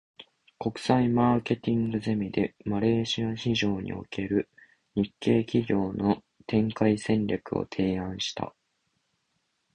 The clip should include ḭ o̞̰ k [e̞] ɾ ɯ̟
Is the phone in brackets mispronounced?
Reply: no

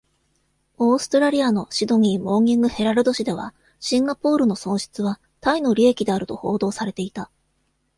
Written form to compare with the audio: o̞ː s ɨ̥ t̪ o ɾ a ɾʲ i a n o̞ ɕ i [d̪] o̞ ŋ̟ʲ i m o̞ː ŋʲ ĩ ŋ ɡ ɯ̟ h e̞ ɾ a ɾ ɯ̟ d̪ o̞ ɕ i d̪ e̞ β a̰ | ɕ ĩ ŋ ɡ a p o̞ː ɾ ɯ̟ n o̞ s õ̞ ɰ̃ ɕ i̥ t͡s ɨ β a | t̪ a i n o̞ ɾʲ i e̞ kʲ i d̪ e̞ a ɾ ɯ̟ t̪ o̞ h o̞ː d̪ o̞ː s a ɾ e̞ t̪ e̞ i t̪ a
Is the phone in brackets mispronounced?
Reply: no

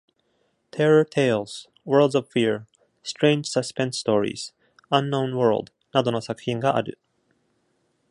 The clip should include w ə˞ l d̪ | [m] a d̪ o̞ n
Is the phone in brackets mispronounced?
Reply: yes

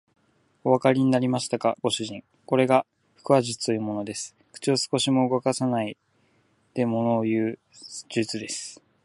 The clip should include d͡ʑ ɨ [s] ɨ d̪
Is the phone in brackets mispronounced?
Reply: yes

